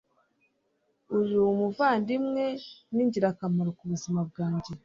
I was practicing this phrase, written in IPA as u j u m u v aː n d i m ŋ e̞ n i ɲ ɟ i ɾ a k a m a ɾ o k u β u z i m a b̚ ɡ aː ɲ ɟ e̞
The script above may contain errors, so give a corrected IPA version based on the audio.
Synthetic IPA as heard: u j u m u v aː n d i m ŋ e̞ n i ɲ ɟ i ɾ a k a m a ɾ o k u β u z i m a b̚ ɡ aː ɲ ɟ e̞